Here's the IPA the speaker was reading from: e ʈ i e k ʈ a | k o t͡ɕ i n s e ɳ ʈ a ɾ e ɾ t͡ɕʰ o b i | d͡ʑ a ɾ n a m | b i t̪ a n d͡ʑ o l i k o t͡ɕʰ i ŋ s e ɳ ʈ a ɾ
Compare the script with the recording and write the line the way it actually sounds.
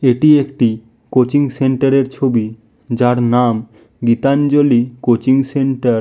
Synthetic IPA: e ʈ i e k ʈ i | k o t͡ɕ i ŋ s e ɳ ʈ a ɾ e ɾ t͡ɕʰ o b i | d͡ʑ a ɾ n a m | ɡ i t̪ a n d͡ʑ o l i k o t͡ɕ i ŋ s e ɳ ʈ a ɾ